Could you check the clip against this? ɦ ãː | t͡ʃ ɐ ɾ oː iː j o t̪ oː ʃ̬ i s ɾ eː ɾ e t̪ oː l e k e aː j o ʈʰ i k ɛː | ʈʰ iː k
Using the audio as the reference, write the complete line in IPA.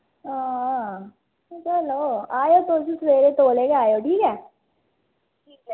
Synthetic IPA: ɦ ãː | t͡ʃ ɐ l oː aː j o t̪ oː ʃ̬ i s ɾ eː ɾ e t̪ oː l e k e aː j o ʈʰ iː k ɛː | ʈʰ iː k